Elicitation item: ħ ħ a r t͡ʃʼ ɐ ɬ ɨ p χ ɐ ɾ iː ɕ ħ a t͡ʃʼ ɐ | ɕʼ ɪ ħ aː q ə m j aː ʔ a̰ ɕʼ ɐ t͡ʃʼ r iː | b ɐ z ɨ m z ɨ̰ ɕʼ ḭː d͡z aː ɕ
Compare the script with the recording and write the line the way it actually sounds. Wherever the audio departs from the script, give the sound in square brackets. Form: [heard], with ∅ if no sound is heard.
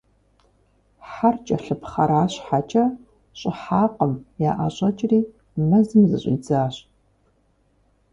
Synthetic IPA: ħ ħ a r t͡ʃʼ ɐ ɬ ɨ p χ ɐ ɾ [aː] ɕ ħ a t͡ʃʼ ɐ | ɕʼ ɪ ħ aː q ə m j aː ʔ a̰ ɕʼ ɐ t͡ʃʼ r iː | [m] ɐ z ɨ m z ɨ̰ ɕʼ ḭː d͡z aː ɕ